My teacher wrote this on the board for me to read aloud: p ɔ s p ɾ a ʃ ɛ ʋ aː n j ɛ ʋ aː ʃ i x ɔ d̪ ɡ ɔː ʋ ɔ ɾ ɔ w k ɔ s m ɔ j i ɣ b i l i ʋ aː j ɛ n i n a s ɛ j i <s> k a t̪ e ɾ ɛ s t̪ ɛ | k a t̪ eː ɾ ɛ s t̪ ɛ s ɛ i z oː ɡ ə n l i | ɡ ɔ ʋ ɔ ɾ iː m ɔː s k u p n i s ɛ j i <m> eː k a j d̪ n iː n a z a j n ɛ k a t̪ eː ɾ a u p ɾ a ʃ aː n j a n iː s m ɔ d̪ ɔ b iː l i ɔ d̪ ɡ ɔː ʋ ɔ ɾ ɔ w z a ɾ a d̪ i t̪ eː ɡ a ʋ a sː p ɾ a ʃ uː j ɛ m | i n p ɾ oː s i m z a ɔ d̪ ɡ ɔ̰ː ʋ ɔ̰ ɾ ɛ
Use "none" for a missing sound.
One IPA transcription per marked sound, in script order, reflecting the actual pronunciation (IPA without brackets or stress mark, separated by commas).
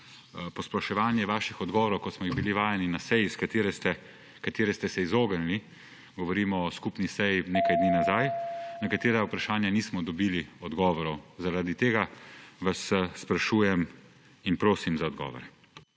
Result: s, n